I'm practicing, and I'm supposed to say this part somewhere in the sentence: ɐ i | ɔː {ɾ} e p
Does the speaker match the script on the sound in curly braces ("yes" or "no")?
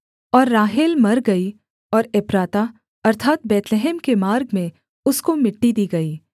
yes